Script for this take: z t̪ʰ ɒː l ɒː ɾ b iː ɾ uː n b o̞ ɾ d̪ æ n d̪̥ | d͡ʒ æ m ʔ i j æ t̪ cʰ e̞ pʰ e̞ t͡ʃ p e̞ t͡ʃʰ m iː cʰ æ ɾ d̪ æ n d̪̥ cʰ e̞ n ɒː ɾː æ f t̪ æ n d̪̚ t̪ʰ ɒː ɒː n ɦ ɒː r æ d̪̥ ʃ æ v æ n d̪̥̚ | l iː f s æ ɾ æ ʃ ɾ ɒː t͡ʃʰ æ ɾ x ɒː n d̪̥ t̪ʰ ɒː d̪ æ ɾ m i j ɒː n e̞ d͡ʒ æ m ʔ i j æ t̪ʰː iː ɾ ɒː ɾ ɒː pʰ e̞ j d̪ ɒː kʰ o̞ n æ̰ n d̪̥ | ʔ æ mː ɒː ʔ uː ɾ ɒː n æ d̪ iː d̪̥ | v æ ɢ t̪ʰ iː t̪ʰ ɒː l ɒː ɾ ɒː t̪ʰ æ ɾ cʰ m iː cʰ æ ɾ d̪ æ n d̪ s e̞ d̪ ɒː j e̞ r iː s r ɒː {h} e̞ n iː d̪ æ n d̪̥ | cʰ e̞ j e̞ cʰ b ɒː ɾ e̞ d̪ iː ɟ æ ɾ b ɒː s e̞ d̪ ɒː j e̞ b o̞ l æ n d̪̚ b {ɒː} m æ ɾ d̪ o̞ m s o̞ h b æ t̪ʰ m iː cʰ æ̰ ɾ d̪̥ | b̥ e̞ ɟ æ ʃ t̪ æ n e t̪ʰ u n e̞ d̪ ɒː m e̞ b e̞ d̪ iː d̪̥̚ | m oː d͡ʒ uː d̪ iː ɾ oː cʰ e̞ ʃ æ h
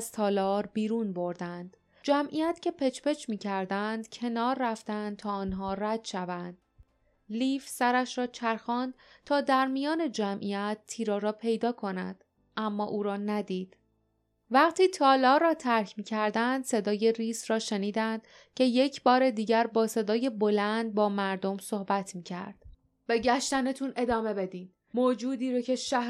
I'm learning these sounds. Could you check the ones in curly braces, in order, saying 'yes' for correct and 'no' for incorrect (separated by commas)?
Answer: no, yes